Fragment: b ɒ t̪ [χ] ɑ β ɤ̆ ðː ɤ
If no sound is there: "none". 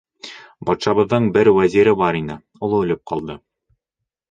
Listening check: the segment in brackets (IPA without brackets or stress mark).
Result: ʃ